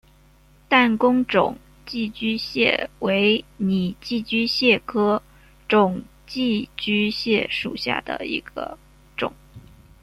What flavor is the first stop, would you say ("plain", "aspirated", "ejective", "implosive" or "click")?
plain